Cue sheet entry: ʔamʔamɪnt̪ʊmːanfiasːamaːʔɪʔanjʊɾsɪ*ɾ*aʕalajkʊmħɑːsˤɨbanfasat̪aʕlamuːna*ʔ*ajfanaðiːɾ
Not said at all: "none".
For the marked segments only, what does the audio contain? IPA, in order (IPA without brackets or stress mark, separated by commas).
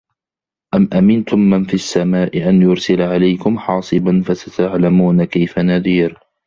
l, k